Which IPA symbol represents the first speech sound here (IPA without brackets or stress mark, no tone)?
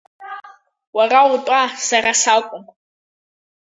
w